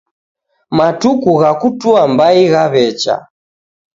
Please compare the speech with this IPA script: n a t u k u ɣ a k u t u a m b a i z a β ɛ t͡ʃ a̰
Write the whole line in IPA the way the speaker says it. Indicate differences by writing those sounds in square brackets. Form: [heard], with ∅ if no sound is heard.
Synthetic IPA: [m] a t u k u ɣ a k u t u a m b a i [ɣ] a β ɛ t͡ʃ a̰